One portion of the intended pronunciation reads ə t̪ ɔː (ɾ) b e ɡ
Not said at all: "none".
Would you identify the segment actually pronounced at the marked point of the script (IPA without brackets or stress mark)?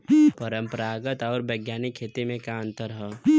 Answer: ɾ